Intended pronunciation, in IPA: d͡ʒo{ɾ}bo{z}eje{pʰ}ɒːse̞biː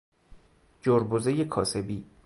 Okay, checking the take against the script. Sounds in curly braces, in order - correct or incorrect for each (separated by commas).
correct, correct, incorrect